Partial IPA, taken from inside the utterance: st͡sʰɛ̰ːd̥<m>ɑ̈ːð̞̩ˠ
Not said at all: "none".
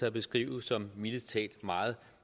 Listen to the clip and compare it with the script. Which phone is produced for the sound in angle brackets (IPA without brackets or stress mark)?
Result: m